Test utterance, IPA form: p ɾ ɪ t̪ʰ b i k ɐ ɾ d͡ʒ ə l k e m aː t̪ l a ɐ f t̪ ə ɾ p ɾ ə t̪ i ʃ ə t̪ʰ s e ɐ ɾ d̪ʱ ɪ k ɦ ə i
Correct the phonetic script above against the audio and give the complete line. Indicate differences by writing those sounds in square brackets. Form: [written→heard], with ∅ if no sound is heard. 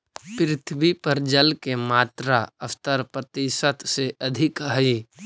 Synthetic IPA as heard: p ɾ ɪ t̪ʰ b i [k→p] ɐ ɾ d͡ʒ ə l k e m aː t̪ [l→ɾ] a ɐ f t̪ ə ɾ p ɾ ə t̪ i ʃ ə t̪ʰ s e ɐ [ɾ→∅] d̪ʱ ɪ k ɦ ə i